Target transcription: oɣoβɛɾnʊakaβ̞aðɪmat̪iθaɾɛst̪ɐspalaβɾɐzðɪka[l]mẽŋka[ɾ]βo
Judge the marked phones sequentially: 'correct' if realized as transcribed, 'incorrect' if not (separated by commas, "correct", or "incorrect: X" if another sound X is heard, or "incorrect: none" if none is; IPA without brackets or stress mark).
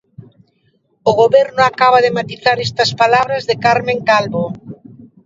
incorrect: ɾ, incorrect: l